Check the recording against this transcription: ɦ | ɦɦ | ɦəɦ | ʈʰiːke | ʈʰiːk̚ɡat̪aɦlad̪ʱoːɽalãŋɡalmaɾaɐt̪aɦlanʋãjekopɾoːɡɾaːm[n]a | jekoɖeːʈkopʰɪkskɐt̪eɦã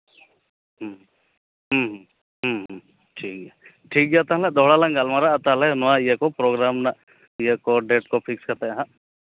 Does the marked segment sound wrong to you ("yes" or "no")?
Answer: no